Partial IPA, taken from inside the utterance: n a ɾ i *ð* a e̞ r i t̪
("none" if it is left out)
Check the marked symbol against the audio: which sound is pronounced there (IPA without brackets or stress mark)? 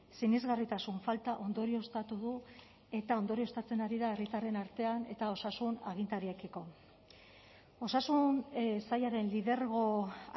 ð